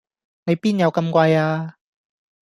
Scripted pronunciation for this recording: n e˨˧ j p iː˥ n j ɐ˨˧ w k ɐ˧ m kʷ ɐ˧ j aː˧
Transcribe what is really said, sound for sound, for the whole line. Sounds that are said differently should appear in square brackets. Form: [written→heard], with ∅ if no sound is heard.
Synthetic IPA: n e˨˧ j p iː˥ n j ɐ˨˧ w k ɐ˧ m kʷ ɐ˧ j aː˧